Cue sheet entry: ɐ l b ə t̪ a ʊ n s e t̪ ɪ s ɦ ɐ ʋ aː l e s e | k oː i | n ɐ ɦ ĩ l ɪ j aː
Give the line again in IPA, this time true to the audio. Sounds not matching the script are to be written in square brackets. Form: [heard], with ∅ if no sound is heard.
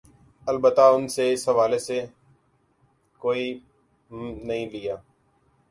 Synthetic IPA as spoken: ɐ l b ə t̪ a ʊ n s e [∅] ɪ s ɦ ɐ ʋ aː l e s e | k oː i | n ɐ ɦ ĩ l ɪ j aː